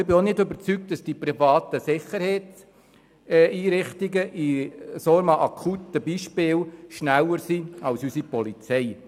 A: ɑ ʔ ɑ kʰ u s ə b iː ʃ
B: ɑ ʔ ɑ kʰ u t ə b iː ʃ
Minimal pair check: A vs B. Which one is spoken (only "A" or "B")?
B